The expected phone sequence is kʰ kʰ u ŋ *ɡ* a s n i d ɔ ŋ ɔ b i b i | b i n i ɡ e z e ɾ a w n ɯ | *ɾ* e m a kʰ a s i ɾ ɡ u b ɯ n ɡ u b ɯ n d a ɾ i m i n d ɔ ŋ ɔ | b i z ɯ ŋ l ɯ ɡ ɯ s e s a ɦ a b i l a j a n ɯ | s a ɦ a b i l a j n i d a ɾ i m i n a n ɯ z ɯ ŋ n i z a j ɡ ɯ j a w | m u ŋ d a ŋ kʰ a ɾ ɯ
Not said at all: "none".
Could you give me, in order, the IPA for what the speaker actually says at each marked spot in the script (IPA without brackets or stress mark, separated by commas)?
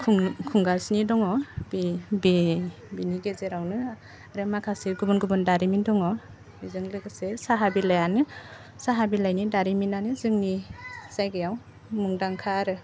ɡ, ɾ